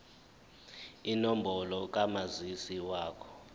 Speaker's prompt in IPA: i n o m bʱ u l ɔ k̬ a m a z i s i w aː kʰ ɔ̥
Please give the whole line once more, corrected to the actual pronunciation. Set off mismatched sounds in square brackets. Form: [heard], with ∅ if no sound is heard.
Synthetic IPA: i n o m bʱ [ɔ] l ɔ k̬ a m a z i s i w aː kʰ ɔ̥